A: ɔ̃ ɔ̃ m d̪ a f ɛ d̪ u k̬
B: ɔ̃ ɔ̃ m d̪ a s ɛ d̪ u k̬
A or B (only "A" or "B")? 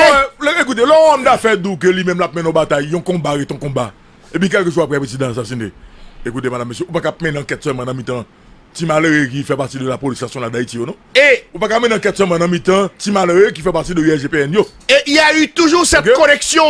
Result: A